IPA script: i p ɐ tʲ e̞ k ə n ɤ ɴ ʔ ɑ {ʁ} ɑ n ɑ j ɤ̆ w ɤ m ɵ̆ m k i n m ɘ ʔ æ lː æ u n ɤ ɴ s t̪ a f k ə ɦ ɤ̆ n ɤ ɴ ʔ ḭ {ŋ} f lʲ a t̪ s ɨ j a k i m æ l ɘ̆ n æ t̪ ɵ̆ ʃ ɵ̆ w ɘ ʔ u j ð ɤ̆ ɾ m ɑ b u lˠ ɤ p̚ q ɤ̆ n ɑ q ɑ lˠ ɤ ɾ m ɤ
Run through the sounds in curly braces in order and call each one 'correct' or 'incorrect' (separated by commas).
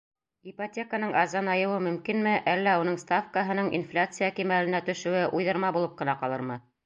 incorrect, incorrect